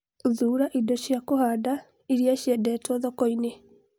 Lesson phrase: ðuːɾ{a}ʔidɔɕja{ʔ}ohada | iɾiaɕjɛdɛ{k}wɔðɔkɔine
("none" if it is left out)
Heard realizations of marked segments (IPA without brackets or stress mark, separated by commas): a, k, t